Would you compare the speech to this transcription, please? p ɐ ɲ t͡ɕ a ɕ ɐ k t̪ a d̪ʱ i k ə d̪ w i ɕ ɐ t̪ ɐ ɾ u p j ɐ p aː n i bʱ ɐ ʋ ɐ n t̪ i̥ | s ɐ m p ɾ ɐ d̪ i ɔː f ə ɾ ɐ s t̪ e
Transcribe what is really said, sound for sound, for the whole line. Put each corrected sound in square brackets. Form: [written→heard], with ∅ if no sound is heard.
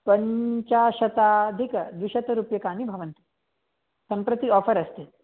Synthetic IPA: p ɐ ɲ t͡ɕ a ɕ ɐ [k→∅] t̪ a d̪ʱ i k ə d̪ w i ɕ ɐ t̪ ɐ ɾ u p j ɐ [p→k] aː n i bʱ ɐ ʋ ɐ n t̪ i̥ | s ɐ m p ɾ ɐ [d̪→t̪] i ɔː f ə ɾ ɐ s t̪ e